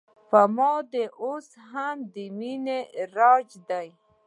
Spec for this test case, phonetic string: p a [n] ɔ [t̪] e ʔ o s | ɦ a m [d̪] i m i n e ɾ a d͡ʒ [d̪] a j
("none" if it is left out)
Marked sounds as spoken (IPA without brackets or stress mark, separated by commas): m, d̪, d̪, d̪